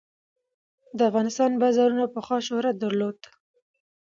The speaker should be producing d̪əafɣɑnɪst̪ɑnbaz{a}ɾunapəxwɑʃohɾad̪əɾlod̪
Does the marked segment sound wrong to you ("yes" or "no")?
yes